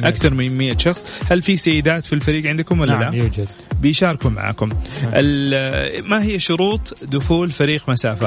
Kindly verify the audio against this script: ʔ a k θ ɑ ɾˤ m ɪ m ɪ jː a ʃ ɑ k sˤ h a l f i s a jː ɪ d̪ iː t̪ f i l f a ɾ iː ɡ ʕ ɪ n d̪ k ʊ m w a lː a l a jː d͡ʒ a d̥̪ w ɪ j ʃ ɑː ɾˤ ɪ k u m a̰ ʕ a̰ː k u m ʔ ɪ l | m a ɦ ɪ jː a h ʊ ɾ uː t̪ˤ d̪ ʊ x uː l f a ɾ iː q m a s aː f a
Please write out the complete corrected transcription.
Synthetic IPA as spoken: ʔ a k θ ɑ ɾˤ m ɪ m ɪ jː a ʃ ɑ x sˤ h a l f i s a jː ɪ d̪ aː t̪ f i l f a ɾ iː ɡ ʕ ɪ n d̪ k ʊ m w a lː a l a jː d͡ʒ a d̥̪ b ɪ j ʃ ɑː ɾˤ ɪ k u m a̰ ʕ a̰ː k ʊ m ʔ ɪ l | m a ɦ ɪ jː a ʃ ʊ ɾ uː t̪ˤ d̪ ʊ x uː l f a ɾ iː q m a s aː f a